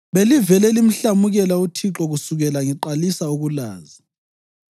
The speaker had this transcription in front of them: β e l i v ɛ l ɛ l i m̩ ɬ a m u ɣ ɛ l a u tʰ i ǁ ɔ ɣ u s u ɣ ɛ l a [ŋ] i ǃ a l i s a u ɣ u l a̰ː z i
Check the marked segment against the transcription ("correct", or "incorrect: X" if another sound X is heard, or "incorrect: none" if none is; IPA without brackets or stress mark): correct